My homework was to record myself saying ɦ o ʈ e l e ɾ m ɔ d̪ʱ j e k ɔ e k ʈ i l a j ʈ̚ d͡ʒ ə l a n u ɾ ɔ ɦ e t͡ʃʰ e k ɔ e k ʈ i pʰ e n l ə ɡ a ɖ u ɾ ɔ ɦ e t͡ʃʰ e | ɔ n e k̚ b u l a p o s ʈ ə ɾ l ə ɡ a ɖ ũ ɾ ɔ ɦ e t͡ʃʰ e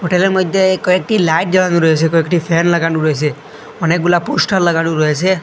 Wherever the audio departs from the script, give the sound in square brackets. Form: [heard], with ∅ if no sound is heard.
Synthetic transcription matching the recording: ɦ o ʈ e l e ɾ m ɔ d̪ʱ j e k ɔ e k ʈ i l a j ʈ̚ d͡ʒ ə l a n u ɾ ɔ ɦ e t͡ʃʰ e k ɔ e k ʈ i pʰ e n l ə ɡ a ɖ u ɾ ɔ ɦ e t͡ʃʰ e | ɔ n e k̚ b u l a p o s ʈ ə ɾ l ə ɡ a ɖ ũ ɾ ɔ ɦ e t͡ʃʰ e